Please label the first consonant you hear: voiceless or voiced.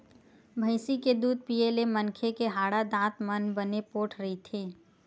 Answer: voiced